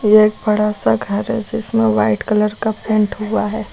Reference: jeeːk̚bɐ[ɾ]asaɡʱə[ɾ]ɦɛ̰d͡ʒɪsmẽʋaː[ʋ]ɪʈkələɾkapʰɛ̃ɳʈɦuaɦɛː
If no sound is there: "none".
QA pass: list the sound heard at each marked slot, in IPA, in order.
ɽ, ɾ, none

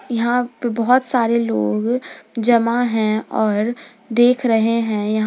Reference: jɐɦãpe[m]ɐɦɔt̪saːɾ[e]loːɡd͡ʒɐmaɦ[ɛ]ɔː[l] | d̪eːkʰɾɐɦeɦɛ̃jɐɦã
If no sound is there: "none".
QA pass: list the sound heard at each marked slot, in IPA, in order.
b, e, ɛ̃, ɾ

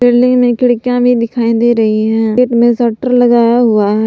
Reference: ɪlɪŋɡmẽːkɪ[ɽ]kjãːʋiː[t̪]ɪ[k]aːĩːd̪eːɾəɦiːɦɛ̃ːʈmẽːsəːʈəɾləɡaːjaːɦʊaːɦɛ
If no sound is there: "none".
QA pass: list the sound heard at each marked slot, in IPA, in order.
ɽ, d̪, kʰ

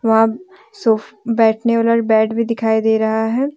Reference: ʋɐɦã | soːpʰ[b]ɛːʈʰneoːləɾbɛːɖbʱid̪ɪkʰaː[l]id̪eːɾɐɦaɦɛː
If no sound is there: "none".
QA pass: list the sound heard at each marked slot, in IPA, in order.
b, none

